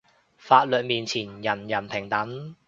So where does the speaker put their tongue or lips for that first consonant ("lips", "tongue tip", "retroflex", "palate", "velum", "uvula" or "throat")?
lips